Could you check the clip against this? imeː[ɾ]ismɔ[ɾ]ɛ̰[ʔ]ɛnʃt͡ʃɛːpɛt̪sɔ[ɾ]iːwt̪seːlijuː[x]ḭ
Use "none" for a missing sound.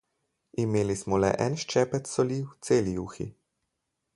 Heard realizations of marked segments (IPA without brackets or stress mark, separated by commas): l, l, ʔ, l, x